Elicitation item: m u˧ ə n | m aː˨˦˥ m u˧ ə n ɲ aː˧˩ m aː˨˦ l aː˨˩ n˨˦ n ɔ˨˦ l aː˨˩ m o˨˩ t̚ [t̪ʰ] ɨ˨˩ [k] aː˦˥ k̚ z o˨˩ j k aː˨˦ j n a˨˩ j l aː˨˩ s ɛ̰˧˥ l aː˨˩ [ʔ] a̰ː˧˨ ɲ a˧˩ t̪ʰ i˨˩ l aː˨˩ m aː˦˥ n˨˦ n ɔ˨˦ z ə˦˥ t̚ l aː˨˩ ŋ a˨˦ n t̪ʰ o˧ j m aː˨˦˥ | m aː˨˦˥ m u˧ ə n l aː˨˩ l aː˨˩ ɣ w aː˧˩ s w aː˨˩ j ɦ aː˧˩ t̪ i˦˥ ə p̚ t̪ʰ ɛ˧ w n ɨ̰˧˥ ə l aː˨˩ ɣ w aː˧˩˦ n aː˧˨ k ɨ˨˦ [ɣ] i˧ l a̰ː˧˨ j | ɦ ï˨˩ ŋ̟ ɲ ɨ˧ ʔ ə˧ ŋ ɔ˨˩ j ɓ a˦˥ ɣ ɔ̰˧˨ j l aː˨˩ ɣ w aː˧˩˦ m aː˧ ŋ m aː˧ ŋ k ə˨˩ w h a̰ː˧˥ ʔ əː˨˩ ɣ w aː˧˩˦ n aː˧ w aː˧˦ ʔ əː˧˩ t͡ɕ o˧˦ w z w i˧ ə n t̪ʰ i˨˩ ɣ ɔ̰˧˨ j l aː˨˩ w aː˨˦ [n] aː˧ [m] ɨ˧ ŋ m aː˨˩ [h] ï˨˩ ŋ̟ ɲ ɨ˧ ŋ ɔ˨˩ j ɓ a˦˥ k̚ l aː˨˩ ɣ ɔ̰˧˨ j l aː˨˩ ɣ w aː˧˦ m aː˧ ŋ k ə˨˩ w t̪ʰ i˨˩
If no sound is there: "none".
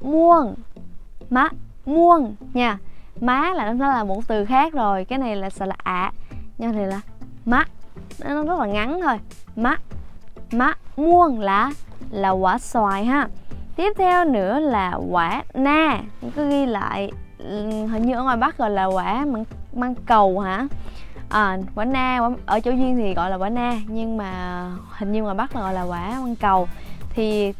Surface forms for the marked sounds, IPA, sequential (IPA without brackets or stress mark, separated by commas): t̪, x, ʔ, ɣ, n, ɲ, h